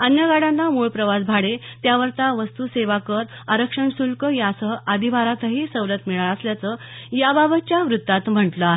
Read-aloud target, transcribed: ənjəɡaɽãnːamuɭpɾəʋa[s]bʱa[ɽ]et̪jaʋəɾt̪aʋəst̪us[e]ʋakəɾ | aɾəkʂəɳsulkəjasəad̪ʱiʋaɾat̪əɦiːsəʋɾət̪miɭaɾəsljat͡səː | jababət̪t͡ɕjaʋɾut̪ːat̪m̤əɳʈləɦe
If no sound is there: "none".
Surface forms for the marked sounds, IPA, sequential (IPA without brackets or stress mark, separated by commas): s, ɽ, e